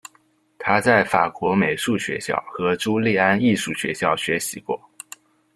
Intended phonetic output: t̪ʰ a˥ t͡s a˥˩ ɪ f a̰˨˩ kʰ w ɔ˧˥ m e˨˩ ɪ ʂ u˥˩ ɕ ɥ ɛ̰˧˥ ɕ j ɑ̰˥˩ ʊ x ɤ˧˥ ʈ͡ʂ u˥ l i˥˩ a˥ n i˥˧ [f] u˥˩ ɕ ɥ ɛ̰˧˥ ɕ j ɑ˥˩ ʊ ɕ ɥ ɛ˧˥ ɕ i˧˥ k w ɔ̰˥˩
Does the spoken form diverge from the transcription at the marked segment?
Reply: yes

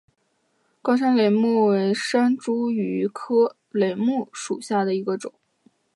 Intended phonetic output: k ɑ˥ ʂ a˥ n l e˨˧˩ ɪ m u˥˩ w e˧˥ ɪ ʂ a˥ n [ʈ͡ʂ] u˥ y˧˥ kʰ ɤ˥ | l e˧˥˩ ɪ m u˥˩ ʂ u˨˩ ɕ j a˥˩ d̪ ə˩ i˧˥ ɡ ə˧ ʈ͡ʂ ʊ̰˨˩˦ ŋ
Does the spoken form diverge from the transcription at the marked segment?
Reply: no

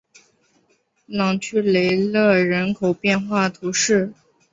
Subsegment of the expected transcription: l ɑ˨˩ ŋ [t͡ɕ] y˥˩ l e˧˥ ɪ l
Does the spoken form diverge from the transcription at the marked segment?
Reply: yes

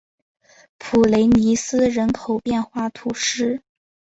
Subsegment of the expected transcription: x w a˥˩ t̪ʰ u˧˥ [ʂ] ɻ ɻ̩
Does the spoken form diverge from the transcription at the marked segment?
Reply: no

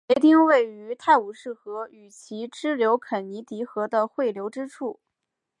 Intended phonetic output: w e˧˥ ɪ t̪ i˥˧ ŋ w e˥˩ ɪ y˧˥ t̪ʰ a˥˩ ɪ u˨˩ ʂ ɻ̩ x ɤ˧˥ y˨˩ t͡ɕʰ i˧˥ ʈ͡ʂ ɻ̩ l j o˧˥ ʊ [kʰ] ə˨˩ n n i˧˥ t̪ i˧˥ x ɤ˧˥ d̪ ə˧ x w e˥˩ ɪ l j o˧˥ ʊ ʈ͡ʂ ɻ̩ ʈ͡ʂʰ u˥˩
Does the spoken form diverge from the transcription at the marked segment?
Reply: no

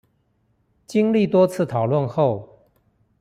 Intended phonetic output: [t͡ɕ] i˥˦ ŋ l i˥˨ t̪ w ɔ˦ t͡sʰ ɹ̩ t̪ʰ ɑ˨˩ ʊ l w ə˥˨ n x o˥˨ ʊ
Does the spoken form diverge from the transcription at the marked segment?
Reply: no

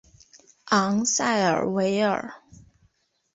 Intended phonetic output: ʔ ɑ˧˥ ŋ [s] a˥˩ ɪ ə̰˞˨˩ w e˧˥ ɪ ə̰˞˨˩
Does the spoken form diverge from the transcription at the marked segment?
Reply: no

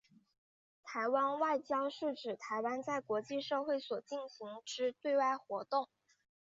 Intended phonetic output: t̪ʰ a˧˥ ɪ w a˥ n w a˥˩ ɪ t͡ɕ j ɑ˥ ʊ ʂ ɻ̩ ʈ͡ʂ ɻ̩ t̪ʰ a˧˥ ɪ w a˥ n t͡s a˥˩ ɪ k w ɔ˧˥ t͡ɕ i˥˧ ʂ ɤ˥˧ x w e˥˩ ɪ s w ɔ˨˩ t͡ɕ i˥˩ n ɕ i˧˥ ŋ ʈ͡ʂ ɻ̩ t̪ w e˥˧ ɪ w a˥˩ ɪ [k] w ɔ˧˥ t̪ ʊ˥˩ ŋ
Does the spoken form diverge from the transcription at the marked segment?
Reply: yes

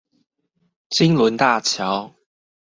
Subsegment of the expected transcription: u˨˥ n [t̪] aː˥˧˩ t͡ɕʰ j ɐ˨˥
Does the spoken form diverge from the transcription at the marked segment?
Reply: no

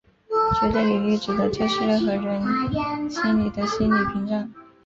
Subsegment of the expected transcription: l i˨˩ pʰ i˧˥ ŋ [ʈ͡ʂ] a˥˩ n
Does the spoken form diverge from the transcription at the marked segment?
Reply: no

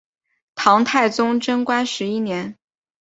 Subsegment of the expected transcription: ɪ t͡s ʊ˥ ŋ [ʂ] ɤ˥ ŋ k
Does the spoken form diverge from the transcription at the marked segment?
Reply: yes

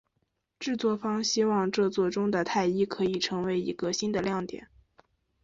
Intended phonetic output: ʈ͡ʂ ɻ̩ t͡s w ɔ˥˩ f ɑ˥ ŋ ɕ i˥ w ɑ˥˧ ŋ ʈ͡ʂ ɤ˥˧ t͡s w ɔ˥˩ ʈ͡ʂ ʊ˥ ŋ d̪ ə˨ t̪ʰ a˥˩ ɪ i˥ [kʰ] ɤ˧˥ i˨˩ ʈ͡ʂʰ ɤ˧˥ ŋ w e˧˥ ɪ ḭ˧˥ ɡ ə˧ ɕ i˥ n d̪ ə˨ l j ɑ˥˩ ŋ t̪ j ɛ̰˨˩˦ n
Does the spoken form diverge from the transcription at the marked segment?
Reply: no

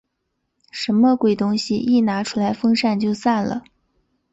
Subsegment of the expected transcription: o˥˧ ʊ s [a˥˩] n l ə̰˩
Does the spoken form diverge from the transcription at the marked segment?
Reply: no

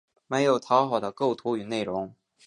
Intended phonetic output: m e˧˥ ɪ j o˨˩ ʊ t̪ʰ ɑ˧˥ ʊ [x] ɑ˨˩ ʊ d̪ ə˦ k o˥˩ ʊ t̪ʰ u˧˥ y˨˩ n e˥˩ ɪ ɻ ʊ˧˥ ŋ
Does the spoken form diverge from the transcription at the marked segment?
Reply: no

